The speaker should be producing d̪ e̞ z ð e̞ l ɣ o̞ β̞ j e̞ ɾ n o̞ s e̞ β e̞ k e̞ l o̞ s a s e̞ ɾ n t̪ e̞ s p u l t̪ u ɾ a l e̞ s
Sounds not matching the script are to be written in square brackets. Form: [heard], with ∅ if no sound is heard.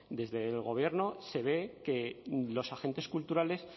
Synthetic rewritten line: d̪ e̞ z ð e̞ l ɣ o̞ β̞ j e̞ ɾ n o̞ s e̞ β e̞ k e̞ l o̞ s a [x] e̞ [∅] n t̪ e̞ s [k] u l t̪ u ɾ a l e̞ s